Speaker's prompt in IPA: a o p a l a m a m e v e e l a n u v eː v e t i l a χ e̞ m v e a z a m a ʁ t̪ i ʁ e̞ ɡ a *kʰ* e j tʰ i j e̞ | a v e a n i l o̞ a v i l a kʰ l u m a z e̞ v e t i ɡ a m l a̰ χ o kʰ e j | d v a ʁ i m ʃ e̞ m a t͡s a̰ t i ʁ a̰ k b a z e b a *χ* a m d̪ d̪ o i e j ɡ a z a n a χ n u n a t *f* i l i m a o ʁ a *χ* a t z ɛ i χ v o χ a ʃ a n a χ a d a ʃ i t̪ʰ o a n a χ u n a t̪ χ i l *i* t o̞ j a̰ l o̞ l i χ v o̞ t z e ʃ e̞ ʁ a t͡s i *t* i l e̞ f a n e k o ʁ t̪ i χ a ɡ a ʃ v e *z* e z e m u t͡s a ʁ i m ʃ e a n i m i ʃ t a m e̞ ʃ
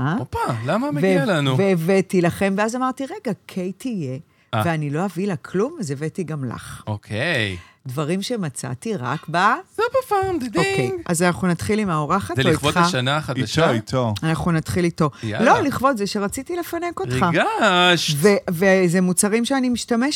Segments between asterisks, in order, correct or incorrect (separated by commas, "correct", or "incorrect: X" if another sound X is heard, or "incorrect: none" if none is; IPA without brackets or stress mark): correct, incorrect: f, incorrect: χ, correct, correct, correct, incorrect: v